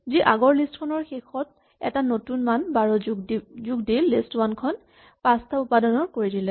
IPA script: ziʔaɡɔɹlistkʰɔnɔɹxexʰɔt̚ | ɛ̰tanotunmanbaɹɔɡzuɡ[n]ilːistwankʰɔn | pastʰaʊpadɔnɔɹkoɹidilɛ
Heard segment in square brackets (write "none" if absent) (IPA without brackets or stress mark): d